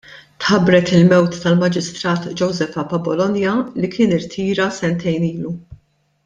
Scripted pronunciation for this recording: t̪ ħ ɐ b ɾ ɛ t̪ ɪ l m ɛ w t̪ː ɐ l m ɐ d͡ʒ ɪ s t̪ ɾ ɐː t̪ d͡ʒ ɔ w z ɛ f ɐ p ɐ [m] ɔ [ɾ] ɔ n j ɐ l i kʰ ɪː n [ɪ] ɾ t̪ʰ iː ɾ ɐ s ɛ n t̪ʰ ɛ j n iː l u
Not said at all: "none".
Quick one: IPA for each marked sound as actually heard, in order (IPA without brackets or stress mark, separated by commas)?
b, l, ɪ